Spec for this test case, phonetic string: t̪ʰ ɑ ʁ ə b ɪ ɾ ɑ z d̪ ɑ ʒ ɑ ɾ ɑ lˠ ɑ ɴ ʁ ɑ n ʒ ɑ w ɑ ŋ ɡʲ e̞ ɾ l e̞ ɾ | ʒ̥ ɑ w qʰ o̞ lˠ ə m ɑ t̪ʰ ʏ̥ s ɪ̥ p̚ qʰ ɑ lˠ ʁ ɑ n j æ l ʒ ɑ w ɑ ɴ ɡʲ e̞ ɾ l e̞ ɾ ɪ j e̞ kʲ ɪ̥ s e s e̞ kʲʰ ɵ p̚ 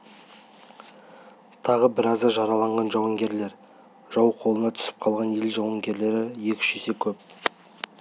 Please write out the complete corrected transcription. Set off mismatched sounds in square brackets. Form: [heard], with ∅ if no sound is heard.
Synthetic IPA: t̪ʰ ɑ ʁ ə b ɪ ɾ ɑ z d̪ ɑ ʒ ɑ ɾ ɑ lˠ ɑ ɴ ʁ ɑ n ʒ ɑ w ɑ ŋ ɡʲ e̞ ɾ l e̞ ɾ | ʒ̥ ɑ w qʰ o̞ lˠ ə [n] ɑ t̪ʰ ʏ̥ s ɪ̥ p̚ qʰ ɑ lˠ ʁ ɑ n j [e] l ʒ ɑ w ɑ [ŋ] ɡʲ e̞ ɾ l e̞ ɾ ɪ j e̞ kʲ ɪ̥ [ʃ] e s e̞ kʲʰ ɵ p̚